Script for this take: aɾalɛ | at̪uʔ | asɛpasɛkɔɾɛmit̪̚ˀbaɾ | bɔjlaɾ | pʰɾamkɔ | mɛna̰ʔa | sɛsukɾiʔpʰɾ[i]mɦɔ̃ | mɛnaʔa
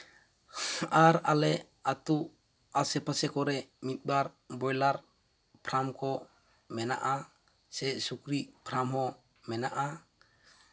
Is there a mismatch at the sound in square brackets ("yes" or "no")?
yes